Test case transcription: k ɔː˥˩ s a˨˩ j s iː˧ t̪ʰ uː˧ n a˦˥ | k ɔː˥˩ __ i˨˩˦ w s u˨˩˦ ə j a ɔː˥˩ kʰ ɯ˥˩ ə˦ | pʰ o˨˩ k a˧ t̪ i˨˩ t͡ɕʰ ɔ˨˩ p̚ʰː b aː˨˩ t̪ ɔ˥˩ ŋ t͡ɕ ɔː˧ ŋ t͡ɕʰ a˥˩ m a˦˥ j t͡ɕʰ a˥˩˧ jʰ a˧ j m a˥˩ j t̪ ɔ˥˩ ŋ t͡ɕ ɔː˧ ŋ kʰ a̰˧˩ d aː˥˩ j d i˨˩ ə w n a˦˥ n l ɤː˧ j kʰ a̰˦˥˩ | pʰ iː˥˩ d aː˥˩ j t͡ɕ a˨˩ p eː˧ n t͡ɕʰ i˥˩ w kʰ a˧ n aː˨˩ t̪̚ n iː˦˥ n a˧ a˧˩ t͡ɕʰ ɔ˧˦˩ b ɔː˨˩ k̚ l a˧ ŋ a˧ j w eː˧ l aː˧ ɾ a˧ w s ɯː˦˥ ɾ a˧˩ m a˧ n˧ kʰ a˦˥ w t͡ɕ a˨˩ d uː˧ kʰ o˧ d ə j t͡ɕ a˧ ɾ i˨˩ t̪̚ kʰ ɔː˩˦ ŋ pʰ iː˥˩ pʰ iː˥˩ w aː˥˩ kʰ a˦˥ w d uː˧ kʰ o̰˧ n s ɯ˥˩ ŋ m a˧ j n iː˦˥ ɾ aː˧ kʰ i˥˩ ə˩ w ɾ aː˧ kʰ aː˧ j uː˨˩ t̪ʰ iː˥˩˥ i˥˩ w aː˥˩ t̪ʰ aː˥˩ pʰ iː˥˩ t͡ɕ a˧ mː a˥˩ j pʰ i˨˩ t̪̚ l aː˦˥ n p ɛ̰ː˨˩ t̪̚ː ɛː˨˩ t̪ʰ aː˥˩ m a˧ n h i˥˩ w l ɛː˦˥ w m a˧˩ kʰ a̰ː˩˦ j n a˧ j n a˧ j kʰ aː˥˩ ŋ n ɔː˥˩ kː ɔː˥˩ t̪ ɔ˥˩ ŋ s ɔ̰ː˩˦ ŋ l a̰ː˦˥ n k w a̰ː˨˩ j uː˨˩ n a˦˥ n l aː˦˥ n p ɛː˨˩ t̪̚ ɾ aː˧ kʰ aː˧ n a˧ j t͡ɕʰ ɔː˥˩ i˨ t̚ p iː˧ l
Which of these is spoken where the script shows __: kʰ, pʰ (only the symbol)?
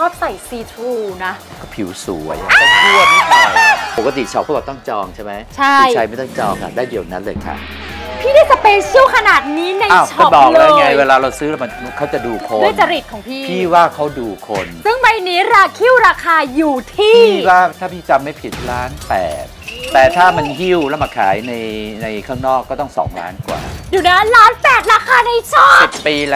pʰ